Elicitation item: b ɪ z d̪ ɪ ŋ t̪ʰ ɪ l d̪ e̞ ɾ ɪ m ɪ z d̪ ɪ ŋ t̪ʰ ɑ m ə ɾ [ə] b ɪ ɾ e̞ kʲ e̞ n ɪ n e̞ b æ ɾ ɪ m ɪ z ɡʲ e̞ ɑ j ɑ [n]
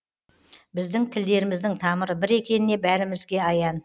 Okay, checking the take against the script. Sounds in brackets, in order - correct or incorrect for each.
correct, correct

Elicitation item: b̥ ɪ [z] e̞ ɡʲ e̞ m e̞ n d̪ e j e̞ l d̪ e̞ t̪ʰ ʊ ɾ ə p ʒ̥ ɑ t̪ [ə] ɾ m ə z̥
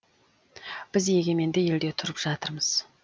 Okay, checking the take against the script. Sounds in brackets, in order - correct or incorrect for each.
correct, correct

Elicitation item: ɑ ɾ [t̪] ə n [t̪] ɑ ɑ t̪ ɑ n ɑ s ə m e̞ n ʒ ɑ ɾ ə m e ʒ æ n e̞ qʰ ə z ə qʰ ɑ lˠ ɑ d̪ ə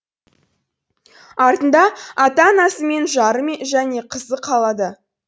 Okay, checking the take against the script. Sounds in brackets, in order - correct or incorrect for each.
correct, incorrect: d̪

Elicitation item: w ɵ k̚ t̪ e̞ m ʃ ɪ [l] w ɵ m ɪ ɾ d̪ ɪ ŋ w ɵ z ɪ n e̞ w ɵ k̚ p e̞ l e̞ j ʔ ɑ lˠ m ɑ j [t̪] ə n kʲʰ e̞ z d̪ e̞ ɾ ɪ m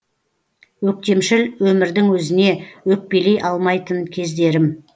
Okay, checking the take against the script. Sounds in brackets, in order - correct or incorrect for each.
correct, correct

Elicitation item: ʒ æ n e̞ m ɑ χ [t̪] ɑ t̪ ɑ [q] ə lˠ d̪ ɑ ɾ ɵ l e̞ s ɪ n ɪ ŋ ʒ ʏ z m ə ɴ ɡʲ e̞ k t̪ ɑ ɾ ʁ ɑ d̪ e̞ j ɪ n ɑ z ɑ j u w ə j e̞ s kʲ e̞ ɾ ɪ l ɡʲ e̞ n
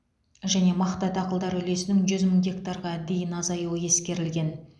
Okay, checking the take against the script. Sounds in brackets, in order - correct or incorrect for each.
correct, correct

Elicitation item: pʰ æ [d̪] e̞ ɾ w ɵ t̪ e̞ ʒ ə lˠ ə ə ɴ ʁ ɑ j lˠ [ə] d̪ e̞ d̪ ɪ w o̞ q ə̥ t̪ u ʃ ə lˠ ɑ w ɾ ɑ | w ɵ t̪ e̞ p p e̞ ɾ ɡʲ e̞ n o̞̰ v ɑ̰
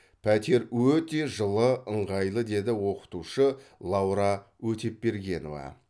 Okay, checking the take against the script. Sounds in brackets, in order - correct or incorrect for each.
incorrect: t̪, correct

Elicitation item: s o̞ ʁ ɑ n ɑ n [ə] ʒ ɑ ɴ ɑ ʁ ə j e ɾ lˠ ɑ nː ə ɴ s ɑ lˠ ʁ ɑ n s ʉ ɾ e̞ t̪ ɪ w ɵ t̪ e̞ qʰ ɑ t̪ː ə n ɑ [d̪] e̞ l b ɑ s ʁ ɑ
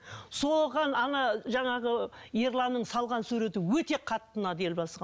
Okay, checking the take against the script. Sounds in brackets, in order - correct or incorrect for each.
incorrect: ɑ, correct

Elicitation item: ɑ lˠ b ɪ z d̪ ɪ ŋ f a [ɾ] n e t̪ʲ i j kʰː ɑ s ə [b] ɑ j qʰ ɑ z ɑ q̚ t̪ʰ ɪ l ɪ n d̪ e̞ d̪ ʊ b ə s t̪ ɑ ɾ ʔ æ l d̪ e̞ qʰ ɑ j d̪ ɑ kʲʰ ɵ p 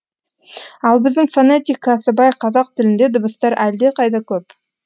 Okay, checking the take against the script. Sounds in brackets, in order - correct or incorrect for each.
incorrect: none, correct

